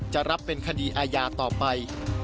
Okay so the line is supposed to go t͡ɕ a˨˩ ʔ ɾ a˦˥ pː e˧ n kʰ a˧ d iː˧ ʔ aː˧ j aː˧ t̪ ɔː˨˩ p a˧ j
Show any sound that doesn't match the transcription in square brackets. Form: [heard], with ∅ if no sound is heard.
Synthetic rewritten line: t͡ɕ a˨˩ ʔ ɾ a˦˥ pː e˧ n kʰ a˧ d iː˧ ʔ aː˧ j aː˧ t̪ ɔː˨˩ p a˧ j